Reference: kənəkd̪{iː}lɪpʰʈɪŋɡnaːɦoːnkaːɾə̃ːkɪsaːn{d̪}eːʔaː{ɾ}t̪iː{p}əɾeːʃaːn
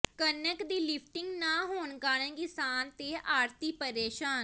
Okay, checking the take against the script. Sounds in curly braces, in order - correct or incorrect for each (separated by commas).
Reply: correct, incorrect, correct, correct